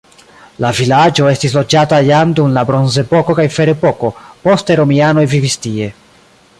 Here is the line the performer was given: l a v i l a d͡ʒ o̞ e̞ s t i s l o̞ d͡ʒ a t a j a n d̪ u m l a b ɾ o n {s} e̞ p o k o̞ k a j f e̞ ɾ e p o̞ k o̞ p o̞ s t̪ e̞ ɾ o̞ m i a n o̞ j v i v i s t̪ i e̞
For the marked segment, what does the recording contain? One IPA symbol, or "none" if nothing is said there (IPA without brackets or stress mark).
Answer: z